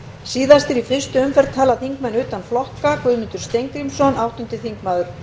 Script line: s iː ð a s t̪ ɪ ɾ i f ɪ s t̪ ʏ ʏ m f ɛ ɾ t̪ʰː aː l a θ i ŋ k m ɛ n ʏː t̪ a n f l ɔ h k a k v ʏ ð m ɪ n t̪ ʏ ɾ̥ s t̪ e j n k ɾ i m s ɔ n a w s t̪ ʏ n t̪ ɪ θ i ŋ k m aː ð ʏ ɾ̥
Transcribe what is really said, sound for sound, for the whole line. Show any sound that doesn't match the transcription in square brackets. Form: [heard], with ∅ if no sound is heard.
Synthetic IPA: s iː ð a s t̪ ɪ ɾ i f ɪ s t̪ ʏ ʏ m f ɛ ɾ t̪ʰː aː l a θ i ŋ k m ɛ n ʏː t̪ a n f l ɔ h k a k v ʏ ð m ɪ n t̪ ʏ ɾ̥ s t̪ e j [ŋ] k ɾ i m s ɔ n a w [h] t̪ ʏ n t̪ ɪ θ i ŋ k m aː ð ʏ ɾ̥

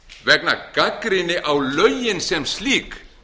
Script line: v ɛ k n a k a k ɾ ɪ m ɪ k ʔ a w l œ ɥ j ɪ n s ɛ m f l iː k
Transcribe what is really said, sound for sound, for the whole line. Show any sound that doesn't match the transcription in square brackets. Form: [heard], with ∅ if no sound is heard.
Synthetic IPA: v ɛ k n a k a k ɾ ɪ [n] ɪ [∅] ʔ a w l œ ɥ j ɪ n s ɛ m [s] l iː k

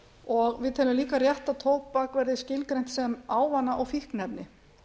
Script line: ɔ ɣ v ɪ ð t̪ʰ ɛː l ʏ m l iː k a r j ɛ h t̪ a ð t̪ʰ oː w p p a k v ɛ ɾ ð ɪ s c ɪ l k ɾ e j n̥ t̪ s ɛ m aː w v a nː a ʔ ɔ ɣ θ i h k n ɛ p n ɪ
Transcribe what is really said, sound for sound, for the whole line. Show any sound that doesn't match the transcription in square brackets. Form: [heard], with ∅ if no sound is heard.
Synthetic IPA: ɔ ɣ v ɪ ð t̪ʰ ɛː l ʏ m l iː k a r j ɛ h t̪ a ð t̪ʰ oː w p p a k v ɛ ɾ ð ɪ s c ɪ l k ɾ e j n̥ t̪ s ɛ m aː w v a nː a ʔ ɔ ɣ [f] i h k n ɛ p n ɪ

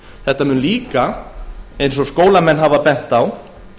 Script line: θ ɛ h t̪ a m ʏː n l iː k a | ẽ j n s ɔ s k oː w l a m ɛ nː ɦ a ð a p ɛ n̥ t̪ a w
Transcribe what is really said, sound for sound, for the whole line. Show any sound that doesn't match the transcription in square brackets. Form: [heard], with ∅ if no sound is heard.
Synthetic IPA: θ ɛ h t̪ a m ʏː n l iː k a | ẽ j n s ɔ s k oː w l a m ɛ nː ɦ a [v] a p ɛ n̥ t̪ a w

